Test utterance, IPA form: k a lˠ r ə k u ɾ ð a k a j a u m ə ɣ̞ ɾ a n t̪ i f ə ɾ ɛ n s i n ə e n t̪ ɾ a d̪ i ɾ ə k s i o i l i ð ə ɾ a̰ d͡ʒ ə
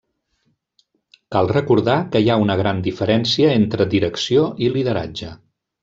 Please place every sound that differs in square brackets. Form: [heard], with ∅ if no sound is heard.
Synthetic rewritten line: k a lˠ r ə k u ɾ ð a k [ə] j a u [n] ə ɣ̞ ɾ a n [d̪] i f ə ɾ ɛ n s i [∅] ə e n t̪ ɾ [ə] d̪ i ɾ ə k s i o i l i ð ə ɾ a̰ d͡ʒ ə